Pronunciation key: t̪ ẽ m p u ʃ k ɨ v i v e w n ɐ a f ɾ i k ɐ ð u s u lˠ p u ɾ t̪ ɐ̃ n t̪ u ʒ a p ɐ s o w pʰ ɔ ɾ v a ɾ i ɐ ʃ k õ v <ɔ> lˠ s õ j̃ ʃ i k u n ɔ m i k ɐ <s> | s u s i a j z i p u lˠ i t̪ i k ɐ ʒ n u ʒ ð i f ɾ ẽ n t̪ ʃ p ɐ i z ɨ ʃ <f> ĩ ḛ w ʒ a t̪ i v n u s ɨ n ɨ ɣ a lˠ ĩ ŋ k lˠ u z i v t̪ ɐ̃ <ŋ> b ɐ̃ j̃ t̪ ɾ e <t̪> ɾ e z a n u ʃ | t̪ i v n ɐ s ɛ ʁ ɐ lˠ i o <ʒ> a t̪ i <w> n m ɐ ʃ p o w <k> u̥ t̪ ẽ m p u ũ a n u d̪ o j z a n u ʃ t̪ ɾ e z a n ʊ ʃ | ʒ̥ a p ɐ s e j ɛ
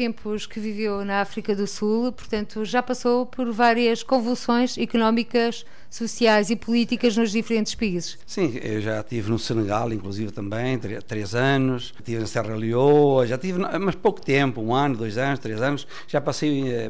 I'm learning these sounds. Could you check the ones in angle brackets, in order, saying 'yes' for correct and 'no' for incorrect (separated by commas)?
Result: no, no, no, no, yes, yes, no, yes